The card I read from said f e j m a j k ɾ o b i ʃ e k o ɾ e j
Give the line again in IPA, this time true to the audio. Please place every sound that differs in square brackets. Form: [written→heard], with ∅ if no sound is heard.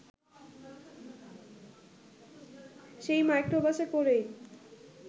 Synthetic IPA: [f→ʃ] e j m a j k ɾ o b [i→a] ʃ e k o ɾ e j